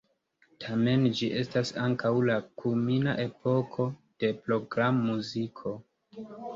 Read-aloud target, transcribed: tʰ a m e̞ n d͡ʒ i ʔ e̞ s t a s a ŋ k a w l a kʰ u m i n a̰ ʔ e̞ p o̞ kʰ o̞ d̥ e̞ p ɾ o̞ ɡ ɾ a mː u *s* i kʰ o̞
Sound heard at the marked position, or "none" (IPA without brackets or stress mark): z